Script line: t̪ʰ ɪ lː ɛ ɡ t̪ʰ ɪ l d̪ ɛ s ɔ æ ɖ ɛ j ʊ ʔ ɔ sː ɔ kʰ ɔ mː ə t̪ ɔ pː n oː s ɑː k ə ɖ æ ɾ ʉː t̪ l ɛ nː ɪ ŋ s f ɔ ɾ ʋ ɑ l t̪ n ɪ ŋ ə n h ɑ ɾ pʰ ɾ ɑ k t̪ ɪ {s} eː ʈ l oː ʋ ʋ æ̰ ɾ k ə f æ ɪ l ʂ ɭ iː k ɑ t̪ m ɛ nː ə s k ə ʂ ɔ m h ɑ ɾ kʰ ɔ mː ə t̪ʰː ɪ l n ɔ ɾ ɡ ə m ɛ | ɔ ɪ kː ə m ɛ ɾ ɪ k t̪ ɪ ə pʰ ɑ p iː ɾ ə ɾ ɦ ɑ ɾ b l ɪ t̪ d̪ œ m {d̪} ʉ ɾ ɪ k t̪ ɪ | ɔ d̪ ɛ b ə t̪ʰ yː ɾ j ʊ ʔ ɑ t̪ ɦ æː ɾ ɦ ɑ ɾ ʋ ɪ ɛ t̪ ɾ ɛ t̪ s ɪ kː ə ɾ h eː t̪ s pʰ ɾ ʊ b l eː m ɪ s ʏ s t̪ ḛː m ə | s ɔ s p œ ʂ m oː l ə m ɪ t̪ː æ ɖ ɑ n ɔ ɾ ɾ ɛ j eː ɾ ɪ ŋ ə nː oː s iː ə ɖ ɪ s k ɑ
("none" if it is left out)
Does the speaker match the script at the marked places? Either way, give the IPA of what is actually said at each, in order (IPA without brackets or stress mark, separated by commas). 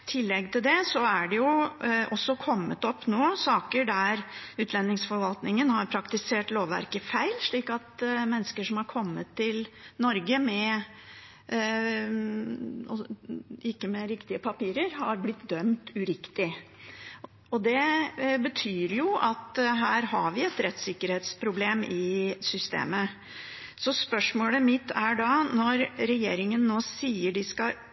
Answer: s, t̪